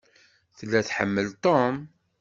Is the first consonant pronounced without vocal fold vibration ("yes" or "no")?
yes